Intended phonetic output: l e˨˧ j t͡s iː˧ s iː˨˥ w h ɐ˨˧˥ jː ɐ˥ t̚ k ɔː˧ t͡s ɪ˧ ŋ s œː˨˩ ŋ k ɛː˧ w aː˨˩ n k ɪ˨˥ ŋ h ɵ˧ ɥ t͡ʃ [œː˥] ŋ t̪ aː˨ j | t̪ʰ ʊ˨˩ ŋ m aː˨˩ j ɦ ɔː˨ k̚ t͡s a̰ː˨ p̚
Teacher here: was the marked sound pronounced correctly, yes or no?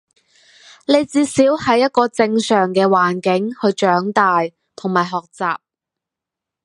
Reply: no